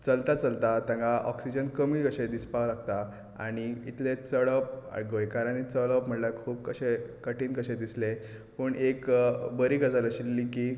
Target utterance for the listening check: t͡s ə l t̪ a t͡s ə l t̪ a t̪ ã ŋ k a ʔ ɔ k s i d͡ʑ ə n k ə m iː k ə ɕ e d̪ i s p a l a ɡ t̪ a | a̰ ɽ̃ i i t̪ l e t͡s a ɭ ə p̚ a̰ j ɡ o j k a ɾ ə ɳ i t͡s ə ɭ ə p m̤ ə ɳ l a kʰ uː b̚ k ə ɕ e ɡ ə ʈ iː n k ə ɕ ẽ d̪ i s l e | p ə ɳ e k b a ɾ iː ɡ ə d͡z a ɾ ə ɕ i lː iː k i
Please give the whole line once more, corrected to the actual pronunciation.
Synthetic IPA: t͡s ə l t̪ a t͡s ə l t̪ a t̪ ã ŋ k a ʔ ɔ k s i d͡ʑ ə n k ə m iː k ə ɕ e d̪ i s p a l a ɡ t̪ a | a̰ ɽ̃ i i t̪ l e t͡s ə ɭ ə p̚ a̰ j ɡ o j k a ɾ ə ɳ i t͡s ə ɭ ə p m̤ ə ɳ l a kʰ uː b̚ k ə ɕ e k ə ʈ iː n k ə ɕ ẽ d̪ i s l e | p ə ɳ e k b ə ɾ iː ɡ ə d͡z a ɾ ə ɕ i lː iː k i